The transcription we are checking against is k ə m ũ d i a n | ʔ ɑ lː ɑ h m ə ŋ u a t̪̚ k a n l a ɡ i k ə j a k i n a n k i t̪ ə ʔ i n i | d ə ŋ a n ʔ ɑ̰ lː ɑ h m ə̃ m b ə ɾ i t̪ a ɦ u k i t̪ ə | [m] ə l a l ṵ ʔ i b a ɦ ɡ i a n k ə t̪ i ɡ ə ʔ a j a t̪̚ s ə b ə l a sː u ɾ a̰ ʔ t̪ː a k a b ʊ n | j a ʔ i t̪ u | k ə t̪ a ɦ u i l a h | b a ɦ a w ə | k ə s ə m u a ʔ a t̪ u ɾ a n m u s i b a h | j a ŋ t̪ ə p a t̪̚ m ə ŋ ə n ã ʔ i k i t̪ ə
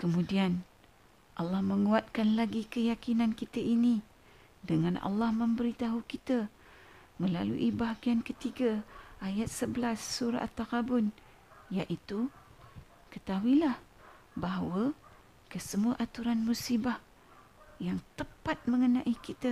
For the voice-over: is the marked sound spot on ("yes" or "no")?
yes